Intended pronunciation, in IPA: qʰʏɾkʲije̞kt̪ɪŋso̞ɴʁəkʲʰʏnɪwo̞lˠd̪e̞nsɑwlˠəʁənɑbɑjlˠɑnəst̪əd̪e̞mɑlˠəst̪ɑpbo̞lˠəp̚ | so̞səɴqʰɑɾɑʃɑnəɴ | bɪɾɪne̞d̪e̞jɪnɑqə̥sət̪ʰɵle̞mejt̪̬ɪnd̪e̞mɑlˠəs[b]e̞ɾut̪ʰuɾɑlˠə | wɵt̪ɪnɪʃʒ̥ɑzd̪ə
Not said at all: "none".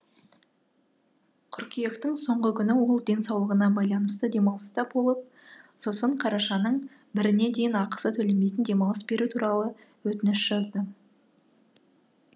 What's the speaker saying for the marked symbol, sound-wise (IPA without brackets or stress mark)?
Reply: b